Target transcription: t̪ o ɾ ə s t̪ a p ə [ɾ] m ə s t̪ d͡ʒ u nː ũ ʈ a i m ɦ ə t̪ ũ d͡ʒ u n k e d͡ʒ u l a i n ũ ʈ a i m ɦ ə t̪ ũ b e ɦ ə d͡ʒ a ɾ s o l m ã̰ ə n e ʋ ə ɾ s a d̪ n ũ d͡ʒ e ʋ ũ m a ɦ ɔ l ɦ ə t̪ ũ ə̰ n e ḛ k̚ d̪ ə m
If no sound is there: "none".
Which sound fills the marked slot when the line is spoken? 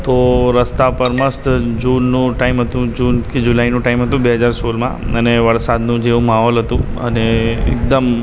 ɾ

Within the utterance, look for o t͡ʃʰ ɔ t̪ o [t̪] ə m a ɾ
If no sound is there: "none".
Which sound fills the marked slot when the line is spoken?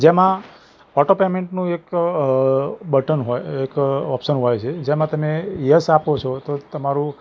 t̪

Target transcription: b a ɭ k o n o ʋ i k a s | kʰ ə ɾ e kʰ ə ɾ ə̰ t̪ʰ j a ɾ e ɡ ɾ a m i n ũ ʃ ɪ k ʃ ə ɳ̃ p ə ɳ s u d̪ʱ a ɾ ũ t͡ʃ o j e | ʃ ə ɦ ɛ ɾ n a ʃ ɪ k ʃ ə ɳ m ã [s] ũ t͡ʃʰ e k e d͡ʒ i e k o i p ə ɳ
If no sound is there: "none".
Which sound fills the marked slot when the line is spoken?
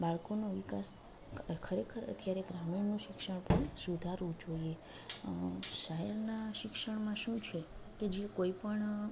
ʃ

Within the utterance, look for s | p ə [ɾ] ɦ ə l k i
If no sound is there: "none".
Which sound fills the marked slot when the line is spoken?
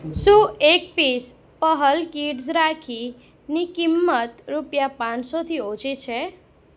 none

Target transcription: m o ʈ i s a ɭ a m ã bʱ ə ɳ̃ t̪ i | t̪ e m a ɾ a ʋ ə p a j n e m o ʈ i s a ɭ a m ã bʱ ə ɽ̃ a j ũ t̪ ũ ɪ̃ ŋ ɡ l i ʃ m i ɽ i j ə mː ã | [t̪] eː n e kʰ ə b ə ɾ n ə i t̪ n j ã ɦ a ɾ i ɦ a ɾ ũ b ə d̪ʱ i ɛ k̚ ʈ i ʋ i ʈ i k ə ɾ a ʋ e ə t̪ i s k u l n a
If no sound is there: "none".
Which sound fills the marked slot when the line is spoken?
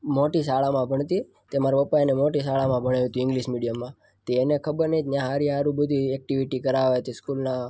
t̪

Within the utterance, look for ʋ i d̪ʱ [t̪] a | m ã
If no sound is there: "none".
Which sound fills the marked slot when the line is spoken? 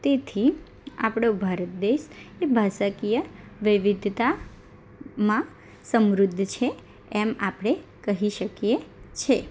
t̪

